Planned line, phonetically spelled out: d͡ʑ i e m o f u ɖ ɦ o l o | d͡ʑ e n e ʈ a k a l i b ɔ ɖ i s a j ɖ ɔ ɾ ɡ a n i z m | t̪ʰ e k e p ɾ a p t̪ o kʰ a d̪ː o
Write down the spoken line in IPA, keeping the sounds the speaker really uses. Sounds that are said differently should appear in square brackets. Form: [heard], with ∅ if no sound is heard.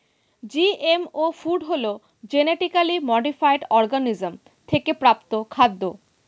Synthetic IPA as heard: d͡ʑ i e m o f u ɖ ɦ o l o | d͡ʑ e n e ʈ [i] k a l i [m] ɔ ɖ i [f] a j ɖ ɔ ɾ ɡ a n i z m | t̪ʰ e k e p ɾ a p t̪ o kʰ a d̪ː o